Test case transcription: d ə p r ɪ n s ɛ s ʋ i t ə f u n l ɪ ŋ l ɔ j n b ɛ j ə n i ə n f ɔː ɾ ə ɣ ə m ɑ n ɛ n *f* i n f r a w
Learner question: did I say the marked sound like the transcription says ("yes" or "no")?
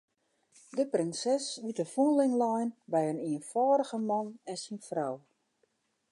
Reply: no